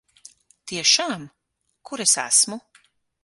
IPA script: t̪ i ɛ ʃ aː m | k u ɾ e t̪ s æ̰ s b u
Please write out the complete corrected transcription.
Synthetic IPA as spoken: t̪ i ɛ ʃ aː m | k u ɾ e s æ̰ s m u